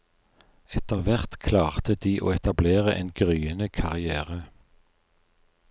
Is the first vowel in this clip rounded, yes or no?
no